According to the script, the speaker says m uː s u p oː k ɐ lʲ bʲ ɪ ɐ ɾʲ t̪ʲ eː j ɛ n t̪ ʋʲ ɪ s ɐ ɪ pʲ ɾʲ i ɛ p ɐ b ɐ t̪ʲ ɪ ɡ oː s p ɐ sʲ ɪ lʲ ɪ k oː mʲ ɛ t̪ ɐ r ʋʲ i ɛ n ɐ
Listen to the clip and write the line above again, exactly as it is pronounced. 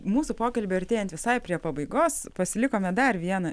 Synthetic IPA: m uː s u p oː k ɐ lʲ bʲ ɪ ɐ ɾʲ t̪ʲ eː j ɛ n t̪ ʋʲ ɪ s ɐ ɪ pʲ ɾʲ i ɛ p ɐ b ɐ ɪ ɡ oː s p ɐ sʲ ɪ lʲ ɪ k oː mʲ ɛ d̪ ɐ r ʋʲ i ɛ n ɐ